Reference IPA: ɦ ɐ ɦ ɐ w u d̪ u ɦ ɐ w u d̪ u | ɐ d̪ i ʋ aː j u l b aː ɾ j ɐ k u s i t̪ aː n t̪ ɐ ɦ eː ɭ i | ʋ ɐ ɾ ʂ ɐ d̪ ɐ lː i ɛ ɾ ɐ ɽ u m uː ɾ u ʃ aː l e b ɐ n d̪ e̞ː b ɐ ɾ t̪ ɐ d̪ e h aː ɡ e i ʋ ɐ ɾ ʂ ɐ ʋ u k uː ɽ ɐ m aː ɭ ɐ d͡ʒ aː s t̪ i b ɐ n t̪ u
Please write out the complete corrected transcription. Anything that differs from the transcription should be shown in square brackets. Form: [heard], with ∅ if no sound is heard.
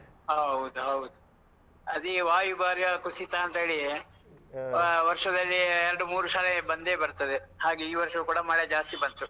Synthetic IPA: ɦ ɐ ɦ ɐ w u d̪ u ɦ ɐ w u d̪ u | ɐ d̪ i ʋ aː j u [∅] b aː ɾ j ɐ k u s i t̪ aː n t̪ ɐ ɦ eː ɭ i | ʋ ɐ ɾ ʂ ɐ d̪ ɐ lː i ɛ ɾ ɐ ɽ u m uː ɾ u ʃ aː l e b ɐ n d̪ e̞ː b ɐ ɾ t̪ ɐ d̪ e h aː ɡ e [iː] ʋ ɐ ɾ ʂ ɐ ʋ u k uː ɽ ɐ m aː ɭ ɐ d͡ʒ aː s t̪ i b ɐ n t̪ u

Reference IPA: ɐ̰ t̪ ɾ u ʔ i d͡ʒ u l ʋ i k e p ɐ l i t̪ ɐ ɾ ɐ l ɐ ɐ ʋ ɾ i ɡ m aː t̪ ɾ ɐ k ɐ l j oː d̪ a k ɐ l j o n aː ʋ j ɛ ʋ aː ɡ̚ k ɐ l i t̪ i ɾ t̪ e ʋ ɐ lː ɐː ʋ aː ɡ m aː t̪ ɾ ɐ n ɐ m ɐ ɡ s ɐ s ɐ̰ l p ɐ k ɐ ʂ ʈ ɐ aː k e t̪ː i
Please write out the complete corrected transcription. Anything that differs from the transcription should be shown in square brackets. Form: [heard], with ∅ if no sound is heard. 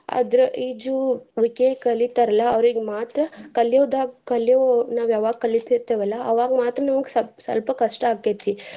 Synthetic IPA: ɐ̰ [d̪] ɾ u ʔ i d͡ʒ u [∅] ʋ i k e [k] ɐ l i t̪ ɐ ɾ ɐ l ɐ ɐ ʋ ɾ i ɡ m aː t̪ ɾ ɐ k ɐ l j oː d̪ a k ɐ l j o n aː ʋ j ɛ ʋ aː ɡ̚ k ɐ l i t̪ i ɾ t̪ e ʋ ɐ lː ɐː ʋ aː ɡ m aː t̪ ɾ ɐ n ɐ m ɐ ɡ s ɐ s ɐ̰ l p ɐ k ɐ ʂ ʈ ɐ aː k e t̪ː i

